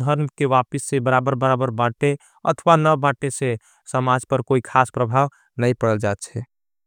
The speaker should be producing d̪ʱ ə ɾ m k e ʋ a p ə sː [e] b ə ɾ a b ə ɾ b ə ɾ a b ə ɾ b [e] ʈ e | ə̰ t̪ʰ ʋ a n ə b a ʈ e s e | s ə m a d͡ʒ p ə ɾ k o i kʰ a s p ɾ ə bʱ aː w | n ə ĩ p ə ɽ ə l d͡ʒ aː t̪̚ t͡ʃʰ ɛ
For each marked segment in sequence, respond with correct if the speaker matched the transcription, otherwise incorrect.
correct, incorrect: a

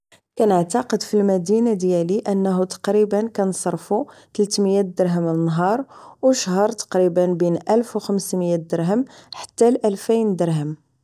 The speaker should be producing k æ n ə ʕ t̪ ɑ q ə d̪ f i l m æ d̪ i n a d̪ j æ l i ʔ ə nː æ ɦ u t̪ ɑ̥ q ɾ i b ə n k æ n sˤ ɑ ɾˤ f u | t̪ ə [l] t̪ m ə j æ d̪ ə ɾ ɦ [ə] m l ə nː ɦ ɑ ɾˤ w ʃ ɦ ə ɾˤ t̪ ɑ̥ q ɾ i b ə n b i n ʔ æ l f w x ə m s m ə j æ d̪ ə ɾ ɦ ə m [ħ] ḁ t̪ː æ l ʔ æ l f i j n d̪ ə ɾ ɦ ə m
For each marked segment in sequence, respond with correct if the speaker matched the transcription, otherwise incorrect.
correct, correct, correct

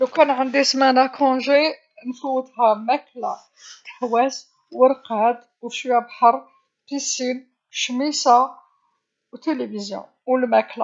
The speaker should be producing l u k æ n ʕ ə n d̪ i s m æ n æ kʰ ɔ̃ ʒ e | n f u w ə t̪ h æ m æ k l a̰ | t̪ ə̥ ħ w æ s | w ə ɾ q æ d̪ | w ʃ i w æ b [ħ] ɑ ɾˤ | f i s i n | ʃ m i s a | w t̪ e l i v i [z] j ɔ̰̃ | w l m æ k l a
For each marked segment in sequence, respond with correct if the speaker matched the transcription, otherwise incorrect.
correct, correct

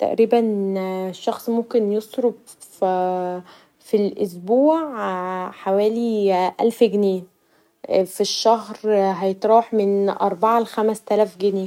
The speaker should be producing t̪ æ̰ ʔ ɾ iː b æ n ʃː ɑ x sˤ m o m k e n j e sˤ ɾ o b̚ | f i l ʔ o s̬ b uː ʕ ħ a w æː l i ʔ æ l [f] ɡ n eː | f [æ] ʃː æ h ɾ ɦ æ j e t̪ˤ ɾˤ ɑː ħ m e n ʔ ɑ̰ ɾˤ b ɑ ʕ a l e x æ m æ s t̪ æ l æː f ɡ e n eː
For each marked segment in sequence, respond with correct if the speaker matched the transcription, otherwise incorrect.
correct, incorrect: i

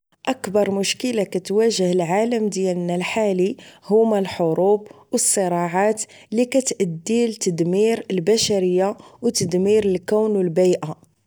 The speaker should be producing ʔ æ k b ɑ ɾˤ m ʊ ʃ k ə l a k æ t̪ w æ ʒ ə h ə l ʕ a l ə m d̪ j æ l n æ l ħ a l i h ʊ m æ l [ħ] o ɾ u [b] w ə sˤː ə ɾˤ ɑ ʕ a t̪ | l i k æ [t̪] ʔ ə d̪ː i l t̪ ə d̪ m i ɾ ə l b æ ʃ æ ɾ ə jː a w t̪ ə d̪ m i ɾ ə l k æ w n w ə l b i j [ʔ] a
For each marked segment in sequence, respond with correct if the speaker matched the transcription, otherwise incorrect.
correct, correct, correct, correct

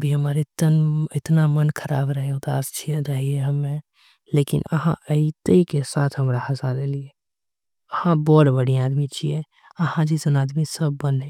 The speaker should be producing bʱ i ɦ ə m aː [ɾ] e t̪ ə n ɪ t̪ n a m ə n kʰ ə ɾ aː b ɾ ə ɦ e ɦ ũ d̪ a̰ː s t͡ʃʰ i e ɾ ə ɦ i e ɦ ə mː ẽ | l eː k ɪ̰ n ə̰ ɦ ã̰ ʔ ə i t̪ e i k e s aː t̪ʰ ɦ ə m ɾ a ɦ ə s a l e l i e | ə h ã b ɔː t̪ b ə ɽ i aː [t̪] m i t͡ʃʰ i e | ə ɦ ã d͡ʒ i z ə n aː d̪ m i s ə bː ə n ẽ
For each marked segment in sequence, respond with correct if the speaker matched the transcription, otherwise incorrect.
correct, incorrect: d̪

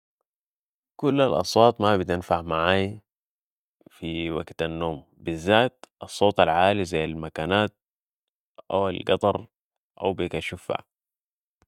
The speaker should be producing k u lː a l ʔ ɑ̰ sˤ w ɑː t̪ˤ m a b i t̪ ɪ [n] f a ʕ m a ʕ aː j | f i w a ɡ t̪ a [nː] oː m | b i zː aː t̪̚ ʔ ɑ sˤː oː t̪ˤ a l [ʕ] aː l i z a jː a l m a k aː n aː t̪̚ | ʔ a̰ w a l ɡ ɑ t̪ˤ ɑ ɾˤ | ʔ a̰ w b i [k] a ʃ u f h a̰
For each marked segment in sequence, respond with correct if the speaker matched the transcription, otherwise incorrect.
correct, correct, correct, correct

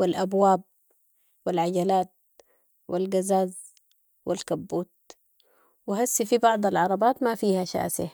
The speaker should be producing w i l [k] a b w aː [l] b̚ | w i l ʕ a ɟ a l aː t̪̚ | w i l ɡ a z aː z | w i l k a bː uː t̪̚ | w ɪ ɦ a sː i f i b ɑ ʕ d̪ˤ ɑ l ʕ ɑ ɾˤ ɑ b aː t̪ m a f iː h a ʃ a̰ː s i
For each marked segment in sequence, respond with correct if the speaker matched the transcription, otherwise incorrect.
incorrect: ʔ, incorrect: none

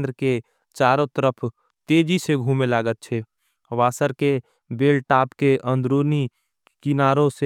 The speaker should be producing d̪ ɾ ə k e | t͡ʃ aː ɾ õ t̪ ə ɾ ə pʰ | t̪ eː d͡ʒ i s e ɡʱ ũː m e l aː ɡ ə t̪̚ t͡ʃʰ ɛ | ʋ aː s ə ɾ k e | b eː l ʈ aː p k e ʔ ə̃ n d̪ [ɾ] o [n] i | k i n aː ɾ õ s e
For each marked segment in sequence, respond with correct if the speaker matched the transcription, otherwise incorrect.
correct, correct

